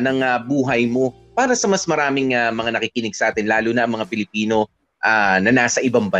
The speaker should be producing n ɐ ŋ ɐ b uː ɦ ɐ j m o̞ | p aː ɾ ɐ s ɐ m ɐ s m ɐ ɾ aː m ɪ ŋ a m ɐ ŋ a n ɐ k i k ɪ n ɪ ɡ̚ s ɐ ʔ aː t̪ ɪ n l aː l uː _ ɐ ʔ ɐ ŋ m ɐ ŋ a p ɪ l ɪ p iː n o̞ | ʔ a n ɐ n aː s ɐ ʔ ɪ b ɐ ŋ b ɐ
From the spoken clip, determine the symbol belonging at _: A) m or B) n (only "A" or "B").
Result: B